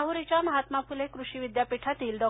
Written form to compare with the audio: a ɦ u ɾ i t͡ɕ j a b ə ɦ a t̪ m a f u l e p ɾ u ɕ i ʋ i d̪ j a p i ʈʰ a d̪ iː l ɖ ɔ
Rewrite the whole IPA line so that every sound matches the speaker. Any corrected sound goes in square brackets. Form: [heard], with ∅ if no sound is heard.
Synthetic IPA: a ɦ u ɾ i t͡ɕ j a [m] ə ɦ a t̪ m a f u l e [k] ɾ u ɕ i ʋ i d̪ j a p i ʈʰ a [t̪] iː l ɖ ɔ